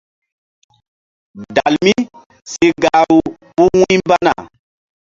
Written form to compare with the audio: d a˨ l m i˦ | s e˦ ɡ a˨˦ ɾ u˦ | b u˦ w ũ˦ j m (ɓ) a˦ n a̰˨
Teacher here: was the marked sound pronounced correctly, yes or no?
no